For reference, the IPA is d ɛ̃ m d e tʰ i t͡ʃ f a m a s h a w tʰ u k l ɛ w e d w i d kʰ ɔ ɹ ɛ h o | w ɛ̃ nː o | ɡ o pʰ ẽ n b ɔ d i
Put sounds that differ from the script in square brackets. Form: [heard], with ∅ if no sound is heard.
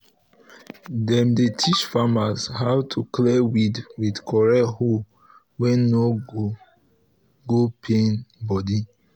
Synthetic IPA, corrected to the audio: d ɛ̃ m d e tʰ i t͡ʃ f a m a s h a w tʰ u k l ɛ w [i] d w i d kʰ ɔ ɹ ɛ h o | w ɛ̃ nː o | ɡ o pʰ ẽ n b ɔ d i